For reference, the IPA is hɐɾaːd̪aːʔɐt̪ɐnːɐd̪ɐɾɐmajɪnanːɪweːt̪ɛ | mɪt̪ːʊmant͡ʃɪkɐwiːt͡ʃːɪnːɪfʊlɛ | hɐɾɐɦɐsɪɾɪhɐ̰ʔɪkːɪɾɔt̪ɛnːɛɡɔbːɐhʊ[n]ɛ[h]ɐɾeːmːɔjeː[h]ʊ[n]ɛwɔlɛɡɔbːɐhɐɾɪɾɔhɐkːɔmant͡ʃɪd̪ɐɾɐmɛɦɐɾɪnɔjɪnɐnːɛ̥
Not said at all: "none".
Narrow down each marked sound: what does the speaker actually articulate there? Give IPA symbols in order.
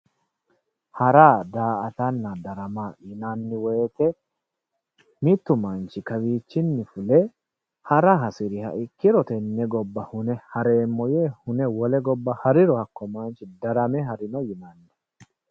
n, h, h, n

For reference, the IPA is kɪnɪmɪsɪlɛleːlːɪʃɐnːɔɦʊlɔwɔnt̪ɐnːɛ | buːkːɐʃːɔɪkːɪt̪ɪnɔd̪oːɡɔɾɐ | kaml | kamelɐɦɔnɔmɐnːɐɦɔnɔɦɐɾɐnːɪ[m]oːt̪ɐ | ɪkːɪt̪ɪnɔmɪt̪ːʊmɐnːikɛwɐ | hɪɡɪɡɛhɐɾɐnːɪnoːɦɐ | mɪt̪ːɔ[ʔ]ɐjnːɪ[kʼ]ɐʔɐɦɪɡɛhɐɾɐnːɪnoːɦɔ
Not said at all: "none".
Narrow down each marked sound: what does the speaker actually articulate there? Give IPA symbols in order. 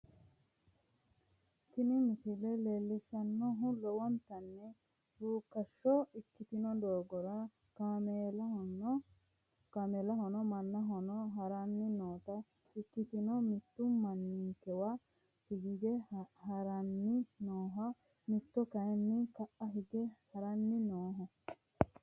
n, k, k

